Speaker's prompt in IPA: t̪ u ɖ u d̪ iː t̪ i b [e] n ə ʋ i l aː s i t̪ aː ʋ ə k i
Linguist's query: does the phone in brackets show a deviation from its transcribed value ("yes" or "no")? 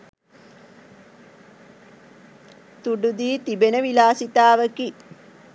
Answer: no